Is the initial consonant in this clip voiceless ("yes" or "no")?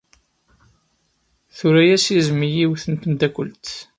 yes